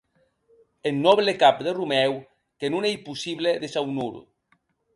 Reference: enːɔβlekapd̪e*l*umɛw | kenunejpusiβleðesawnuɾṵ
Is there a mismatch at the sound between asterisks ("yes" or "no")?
yes